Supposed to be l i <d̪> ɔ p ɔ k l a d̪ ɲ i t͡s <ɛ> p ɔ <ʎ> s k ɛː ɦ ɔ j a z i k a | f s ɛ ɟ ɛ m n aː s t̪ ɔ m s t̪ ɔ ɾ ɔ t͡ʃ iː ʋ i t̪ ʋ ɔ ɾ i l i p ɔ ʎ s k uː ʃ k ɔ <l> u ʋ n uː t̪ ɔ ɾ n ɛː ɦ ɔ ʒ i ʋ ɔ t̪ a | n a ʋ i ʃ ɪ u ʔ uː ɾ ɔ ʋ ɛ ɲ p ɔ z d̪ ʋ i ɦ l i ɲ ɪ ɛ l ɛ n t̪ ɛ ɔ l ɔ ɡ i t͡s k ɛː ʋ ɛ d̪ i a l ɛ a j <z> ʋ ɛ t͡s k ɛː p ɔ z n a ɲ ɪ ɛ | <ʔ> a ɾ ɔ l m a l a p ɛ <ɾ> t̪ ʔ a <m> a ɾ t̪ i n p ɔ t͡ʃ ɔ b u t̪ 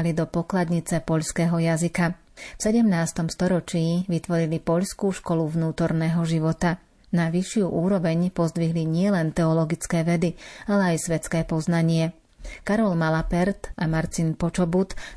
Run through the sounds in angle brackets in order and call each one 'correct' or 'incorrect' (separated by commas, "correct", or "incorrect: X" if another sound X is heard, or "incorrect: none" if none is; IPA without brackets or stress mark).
correct, correct, correct, correct, incorrect: s, incorrect: k, correct, correct